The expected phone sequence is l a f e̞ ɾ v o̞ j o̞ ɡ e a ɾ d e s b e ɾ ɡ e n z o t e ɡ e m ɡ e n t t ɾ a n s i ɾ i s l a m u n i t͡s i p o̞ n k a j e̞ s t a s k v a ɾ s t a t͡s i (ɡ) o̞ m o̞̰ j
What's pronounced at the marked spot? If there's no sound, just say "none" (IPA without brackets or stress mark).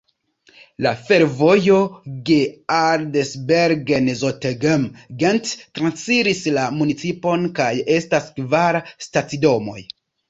d